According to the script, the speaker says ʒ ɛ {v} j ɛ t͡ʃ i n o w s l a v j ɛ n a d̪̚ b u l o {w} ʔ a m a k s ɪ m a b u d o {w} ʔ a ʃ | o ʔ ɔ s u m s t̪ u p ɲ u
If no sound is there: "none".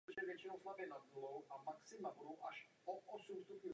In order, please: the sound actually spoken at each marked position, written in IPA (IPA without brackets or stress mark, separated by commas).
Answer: v, w, w